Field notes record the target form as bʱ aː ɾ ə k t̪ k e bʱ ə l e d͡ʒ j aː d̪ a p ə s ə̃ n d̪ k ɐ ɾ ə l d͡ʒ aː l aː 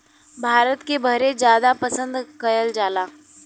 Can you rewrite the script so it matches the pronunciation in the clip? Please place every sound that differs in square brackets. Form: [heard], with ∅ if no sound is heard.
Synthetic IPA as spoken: bʱ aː ɾ ə [∅] t̪ k e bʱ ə [ɾ] e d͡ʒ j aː d̪ a p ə s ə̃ n d̪ k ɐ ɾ ə l d͡ʒ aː l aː